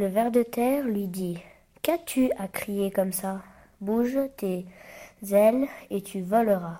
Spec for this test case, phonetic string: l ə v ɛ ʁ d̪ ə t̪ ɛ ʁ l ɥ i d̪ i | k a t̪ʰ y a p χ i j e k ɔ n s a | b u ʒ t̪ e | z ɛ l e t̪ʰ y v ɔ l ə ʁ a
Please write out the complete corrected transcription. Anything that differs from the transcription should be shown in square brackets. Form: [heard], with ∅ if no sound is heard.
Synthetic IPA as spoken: l ə v ɛ ʁ d̪ ə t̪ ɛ ʁ l ɥ i d̪ i | k a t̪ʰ y a [k] χ i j e k ɔ [m] s a | b u ʒ t̪ e | z ɛ l e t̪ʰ y v ɔ l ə ʁ a